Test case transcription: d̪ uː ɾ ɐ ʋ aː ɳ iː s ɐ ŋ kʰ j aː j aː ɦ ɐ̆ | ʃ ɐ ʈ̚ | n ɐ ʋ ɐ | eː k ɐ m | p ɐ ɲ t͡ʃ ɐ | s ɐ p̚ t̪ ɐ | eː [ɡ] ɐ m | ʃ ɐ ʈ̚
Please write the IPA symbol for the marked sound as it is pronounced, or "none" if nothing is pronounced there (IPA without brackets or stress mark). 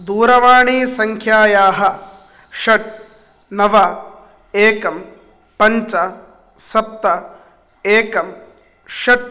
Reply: k